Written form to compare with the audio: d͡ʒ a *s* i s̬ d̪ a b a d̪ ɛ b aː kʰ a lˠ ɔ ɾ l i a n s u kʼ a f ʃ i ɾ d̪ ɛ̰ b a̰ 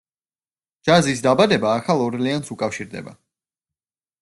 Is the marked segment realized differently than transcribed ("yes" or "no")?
yes